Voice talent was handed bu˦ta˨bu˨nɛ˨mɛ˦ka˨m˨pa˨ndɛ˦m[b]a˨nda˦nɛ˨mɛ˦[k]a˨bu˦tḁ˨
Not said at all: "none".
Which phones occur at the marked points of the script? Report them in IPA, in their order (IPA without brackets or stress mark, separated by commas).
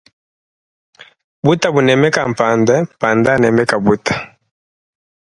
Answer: p, k